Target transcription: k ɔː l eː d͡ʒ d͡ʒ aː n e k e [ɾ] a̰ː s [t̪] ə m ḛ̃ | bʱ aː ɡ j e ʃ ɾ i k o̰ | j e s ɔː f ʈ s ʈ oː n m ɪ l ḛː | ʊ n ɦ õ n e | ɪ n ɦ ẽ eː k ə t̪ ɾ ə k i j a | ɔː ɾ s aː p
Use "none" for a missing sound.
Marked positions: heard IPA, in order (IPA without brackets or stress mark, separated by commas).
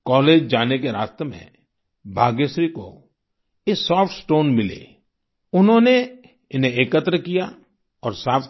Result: ɾ, t̪